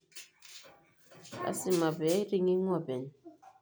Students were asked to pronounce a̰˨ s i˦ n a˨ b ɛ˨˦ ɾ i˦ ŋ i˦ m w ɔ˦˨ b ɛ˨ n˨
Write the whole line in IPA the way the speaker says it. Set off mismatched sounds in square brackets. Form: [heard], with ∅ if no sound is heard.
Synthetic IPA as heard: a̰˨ s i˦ [m] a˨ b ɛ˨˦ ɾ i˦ ŋ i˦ [ŋ] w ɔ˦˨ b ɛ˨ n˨